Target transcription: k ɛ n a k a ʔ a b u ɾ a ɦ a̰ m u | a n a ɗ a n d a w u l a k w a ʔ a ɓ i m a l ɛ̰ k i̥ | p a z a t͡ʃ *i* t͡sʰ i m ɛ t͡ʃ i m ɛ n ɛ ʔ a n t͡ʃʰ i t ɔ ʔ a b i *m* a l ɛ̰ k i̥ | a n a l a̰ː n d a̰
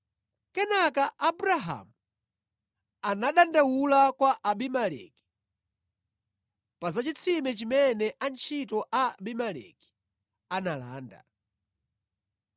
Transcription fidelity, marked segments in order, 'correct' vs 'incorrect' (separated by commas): correct, correct